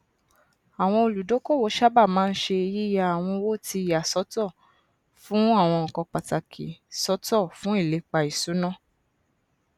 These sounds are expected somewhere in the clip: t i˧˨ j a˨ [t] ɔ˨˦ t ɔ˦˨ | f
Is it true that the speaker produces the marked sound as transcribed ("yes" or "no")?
no